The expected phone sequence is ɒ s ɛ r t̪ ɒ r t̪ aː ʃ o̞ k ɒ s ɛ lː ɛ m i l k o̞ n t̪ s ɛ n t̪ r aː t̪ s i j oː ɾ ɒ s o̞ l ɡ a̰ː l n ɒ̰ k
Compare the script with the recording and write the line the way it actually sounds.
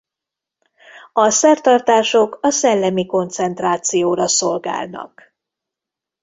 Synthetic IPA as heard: ɒ s ɛ r t̪ ɒ r t̪ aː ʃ o̞ k ɒ s ɛ lː ɛ m i k o̞ n t̪ s ɛ n t̪ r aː t̪ s i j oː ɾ ɒ s o̞ l ɡ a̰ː l n ɒ̰ k